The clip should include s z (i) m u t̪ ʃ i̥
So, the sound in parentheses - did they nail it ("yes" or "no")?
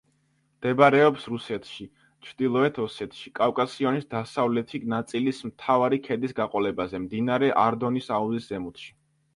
no